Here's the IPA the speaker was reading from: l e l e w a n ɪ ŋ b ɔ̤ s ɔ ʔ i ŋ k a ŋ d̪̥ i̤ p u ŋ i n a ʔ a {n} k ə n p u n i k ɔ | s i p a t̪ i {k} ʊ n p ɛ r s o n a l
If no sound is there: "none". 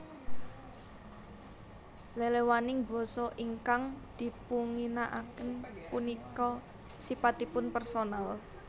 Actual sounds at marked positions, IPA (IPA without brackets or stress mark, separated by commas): none, p